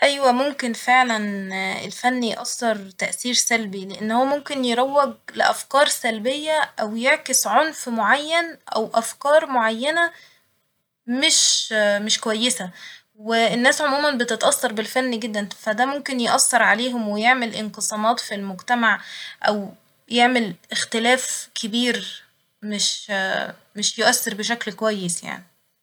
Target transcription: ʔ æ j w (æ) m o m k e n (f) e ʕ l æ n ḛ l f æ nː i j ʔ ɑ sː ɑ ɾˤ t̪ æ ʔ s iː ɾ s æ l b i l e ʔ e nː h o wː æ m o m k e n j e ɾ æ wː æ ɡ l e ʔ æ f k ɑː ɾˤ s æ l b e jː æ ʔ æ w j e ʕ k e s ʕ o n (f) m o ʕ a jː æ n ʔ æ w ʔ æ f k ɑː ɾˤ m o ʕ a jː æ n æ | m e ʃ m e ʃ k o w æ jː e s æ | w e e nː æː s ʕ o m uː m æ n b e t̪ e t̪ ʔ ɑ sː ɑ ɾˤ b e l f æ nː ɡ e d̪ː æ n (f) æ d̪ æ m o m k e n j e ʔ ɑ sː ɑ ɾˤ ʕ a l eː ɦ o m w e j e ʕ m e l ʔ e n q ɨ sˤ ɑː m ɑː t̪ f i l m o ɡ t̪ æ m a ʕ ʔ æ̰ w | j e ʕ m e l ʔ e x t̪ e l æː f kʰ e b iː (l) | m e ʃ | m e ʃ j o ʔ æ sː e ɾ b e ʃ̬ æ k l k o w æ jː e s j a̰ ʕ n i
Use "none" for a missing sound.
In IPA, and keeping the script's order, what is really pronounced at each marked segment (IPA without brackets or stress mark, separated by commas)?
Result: æ, f, f, f, ɾ